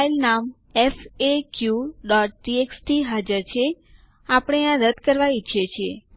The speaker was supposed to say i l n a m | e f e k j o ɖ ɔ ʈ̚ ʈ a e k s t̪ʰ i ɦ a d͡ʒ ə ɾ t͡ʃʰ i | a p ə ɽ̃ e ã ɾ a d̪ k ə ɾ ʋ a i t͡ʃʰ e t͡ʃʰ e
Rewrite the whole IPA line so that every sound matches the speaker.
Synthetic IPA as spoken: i l n a m | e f e k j u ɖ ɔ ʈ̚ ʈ i e k s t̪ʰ i ɦ a d͡ʒ ə ɾ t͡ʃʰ e | a p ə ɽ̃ e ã ɾ ə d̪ k ə ɾ ʋ a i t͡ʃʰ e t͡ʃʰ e